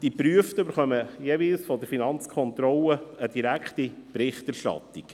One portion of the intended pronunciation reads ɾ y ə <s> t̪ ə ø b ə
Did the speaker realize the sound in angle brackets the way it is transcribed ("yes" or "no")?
no